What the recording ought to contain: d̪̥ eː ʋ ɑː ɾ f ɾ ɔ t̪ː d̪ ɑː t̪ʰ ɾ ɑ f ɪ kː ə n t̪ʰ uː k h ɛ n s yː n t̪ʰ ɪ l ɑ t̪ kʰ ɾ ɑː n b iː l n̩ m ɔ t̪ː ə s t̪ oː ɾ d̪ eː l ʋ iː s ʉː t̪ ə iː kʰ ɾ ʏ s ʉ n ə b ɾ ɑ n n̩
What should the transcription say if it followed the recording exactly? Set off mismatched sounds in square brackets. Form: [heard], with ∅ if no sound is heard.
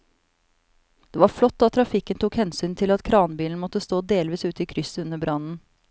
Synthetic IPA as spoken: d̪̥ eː ʋ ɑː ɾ f [l] ɔ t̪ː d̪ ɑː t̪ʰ ɾ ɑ f ɪ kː ə n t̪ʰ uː k h ɛ n s yː n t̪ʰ ɪ l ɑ t̪ kʰ ɾ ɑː n b iː l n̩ m ɔ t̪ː ə s t̪ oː [∅] d̪ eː l ʋ iː s ʉː t̪ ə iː kʰ ɾ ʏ s ʉ n ə b ɾ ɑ n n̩